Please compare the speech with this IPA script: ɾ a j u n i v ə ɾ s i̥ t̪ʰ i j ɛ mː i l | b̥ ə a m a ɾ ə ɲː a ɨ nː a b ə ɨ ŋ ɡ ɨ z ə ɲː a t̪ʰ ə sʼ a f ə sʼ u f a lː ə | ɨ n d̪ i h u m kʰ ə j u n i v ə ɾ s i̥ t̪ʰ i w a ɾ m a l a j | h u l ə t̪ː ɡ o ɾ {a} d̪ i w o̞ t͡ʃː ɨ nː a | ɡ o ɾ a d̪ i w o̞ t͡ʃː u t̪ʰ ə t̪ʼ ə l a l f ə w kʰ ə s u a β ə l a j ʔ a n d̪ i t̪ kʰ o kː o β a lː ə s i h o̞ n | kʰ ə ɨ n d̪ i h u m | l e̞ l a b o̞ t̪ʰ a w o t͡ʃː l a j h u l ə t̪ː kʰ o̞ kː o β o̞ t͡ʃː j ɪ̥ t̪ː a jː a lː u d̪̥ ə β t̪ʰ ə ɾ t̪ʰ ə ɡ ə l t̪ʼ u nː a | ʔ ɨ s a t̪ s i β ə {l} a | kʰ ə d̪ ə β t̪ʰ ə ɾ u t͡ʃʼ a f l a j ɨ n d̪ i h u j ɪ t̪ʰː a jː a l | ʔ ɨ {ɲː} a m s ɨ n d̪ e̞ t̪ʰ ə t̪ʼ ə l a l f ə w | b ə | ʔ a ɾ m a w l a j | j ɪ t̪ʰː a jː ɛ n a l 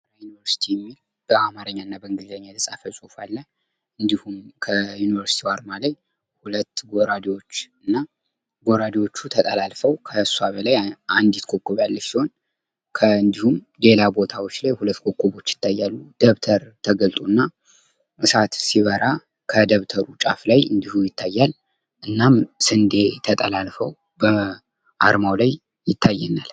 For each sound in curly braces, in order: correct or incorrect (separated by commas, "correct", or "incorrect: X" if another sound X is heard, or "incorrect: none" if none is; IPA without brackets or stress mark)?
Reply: correct, incorrect: ɾ, incorrect: nː